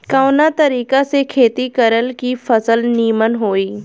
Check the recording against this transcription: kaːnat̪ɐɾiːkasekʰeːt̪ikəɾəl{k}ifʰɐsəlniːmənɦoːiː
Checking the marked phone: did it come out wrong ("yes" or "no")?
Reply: no